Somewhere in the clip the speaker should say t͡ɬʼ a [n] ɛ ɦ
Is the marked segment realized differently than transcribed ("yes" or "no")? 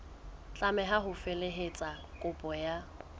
yes